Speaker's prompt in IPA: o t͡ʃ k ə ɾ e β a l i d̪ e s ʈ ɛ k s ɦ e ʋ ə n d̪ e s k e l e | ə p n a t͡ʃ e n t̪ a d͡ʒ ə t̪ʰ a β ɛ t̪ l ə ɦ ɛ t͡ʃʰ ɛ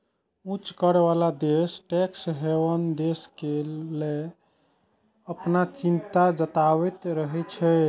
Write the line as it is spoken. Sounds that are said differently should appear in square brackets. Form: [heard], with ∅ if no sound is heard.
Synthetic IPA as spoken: [u] t͡ʃ k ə ɾ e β a l [a] d̪ e s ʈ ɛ k s ɦ e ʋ ə n d̪ e s k e l e | ə p n a t͡ʃ [i] n t̪ a d͡ʒ ə [t̪] a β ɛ t̪ [ɾ] ə ɦ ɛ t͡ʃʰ ɛ